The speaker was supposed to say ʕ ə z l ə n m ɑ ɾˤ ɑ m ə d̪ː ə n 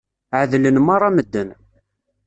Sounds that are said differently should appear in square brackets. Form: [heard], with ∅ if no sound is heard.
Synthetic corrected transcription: ʕ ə [ð] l ə n m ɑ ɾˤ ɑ m ə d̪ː ə n